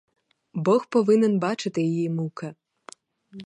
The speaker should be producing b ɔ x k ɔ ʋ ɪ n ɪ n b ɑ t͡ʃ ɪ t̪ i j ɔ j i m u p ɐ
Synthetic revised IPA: b ɔ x p ɔ ʋ ɪ n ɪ n b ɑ t͡ʃ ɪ t̪ ɪ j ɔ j i m u k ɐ